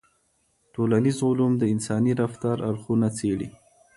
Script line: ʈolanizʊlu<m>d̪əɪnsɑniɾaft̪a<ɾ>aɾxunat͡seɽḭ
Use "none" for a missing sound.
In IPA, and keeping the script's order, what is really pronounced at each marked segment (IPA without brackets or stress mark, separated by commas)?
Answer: m, ɾ